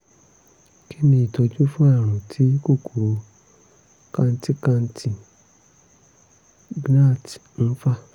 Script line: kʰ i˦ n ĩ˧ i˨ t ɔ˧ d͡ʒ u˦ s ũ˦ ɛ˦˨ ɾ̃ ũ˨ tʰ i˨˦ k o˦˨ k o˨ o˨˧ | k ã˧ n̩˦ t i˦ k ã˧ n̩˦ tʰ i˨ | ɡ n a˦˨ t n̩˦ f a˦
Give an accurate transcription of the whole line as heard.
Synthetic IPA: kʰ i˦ n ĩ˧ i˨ t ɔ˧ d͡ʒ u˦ f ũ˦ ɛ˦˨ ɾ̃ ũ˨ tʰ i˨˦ k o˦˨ k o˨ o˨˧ | k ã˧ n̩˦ t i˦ k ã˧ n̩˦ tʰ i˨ | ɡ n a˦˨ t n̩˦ f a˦